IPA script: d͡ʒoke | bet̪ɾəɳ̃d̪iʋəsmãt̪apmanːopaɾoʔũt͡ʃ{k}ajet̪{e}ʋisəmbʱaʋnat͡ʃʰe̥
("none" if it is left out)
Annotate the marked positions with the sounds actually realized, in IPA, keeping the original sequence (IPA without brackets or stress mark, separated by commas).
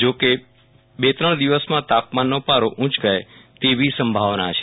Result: ɡ, e